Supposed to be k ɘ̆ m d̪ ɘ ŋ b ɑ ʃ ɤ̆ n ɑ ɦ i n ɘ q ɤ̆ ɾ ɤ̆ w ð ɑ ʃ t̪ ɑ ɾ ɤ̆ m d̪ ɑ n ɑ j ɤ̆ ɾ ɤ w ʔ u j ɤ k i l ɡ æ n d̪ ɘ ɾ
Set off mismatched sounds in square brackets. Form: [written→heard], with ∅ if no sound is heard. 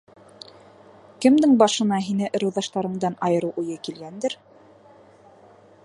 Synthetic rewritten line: k ɘ̆ m d̪ ɘ ŋ b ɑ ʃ ɤ̆ n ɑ ɦ i n ɘ [q→ʔ] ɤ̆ ɾ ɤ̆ w ð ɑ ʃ t̪ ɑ ɾ ɤ̆ [m→ɴ] d̪ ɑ n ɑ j ɤ̆ ɾ ɤ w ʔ u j ɤ k i l ɡ æ n d̪ ɘ ɾ